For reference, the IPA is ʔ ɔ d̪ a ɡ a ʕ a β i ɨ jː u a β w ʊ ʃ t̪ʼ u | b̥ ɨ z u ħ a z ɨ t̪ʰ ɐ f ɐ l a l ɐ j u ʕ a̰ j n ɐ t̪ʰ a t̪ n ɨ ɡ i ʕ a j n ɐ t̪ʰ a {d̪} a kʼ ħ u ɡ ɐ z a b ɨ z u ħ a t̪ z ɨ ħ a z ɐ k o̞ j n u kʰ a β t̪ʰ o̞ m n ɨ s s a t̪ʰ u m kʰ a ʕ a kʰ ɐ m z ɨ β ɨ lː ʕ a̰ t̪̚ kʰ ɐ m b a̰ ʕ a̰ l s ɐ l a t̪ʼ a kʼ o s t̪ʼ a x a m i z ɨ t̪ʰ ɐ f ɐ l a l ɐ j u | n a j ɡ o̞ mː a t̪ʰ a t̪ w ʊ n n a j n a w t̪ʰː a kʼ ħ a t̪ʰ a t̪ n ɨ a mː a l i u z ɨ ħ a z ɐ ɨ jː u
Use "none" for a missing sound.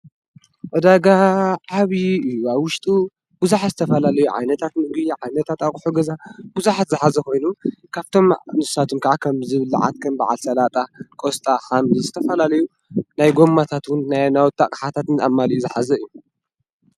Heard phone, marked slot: t̪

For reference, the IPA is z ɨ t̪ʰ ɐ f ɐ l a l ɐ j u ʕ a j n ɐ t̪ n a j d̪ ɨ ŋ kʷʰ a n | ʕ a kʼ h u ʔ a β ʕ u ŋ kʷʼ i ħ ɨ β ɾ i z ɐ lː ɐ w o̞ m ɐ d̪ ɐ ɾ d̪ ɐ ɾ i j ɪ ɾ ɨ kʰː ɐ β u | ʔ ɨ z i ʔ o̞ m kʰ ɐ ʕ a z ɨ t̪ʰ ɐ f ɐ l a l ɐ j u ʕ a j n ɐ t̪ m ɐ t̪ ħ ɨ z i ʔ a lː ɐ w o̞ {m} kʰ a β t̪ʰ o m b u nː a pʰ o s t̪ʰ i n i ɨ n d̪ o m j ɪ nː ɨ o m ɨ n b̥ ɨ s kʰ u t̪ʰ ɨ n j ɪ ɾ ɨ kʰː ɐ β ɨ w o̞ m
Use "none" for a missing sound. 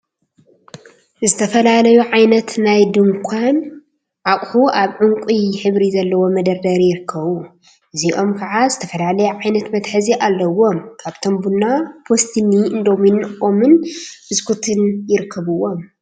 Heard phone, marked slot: m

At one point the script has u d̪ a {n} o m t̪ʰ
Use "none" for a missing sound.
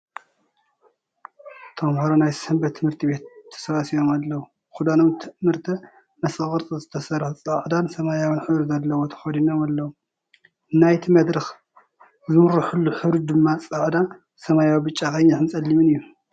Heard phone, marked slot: n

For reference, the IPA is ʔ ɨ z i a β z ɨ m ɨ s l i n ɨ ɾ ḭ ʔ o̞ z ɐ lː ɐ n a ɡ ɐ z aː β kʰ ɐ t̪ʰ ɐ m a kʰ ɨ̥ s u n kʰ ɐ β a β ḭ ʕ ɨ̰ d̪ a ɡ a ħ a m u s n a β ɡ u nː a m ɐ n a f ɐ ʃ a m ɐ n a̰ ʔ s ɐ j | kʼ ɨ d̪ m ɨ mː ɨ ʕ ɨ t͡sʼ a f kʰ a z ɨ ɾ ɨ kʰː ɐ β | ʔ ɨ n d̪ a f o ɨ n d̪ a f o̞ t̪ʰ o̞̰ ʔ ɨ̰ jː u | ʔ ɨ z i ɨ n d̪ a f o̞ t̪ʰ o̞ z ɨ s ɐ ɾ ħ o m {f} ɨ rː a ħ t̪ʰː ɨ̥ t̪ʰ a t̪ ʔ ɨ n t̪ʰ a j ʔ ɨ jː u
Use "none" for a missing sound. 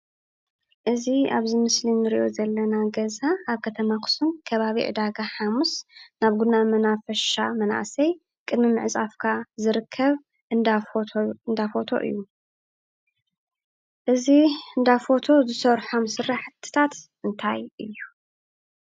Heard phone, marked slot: s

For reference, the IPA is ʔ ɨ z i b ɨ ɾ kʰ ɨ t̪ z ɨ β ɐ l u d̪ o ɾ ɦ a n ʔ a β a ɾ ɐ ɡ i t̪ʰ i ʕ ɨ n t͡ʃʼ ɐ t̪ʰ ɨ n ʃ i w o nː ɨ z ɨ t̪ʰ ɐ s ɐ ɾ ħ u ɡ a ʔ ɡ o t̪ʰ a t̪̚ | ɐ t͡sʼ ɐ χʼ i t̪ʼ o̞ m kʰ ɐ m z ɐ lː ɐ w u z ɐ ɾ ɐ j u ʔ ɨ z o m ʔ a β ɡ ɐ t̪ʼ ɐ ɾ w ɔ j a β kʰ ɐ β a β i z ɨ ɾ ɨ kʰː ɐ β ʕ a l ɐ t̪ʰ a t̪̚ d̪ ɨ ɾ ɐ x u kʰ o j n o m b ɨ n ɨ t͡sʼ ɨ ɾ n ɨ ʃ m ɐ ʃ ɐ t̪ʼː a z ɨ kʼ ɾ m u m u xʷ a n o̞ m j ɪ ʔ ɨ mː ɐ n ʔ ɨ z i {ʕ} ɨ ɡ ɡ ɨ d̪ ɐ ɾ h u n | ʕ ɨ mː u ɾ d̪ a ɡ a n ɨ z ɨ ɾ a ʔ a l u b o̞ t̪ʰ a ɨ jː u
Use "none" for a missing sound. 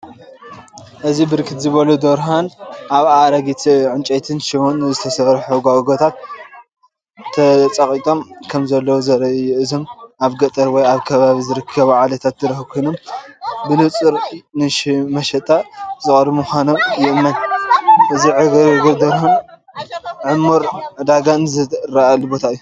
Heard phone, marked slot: ʕ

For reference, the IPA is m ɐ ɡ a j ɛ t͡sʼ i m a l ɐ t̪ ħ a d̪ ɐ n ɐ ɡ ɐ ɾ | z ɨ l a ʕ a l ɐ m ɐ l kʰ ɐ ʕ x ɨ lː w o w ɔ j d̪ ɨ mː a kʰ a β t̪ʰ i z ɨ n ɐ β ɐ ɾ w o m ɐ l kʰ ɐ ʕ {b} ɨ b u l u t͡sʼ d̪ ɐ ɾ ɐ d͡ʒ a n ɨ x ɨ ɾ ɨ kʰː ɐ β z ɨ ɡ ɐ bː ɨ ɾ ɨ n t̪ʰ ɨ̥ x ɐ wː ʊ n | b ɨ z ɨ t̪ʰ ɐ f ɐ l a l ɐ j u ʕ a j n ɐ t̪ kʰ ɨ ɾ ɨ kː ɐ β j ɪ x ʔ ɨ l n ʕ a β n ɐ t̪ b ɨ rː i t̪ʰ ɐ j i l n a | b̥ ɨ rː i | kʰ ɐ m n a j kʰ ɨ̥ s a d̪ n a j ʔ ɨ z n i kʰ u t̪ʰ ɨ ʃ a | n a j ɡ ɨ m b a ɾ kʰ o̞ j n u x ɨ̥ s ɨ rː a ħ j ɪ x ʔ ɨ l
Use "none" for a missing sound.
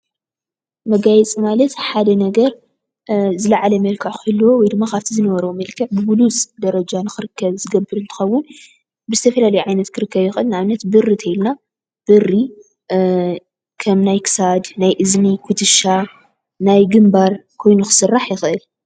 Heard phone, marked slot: b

